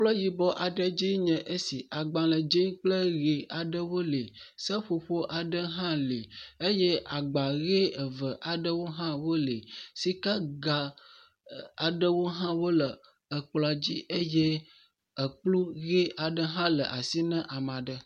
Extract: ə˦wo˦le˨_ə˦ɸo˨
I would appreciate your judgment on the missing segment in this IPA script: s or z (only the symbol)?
s